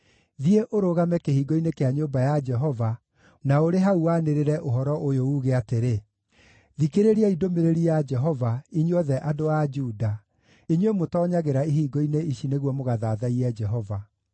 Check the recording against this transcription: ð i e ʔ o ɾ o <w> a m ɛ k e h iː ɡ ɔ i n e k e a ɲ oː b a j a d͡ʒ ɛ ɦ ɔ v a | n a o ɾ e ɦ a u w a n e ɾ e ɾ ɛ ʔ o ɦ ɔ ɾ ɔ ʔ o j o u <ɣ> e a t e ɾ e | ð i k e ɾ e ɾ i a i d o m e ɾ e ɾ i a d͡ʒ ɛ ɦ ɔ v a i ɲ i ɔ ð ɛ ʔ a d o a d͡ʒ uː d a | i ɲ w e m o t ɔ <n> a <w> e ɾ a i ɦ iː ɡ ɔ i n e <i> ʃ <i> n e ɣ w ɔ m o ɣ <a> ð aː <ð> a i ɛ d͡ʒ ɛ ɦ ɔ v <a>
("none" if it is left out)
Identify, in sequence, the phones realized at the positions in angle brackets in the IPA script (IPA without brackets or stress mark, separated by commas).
ɣ, ɣ, ɲ, ɣ, i, i, a, ð, a